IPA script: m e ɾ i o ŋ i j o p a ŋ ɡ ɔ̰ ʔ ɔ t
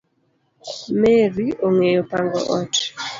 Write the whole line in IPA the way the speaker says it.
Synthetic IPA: m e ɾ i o ŋ e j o p a ŋ ɡ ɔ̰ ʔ ɔ t